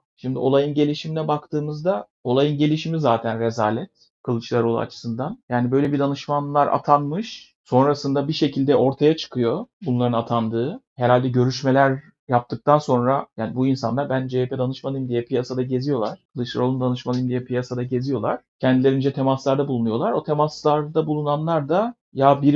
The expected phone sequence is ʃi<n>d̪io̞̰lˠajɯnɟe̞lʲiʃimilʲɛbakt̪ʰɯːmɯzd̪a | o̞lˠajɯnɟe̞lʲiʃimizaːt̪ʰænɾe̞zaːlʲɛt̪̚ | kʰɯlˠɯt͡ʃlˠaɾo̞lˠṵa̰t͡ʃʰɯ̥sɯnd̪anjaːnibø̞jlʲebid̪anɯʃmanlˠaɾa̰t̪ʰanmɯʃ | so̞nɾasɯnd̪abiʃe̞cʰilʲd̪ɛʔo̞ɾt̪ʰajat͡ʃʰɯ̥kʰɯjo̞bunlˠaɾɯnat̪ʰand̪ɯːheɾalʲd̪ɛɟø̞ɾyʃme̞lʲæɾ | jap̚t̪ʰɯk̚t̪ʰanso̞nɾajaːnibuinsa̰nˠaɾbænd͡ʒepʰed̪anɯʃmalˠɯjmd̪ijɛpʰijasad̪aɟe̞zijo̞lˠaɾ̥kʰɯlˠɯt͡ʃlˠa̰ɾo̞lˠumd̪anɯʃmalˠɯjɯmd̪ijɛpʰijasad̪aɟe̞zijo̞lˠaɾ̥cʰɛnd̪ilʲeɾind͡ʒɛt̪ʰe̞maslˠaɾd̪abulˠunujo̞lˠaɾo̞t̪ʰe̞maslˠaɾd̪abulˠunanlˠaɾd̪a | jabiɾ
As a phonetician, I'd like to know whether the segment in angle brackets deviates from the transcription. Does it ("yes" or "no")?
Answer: yes